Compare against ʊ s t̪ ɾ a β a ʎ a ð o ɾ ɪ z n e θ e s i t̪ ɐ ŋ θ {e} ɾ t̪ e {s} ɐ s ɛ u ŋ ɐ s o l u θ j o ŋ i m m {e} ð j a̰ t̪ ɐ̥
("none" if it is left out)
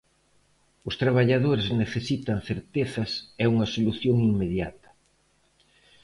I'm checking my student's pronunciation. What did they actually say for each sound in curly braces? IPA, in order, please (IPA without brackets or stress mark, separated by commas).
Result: e, θ, e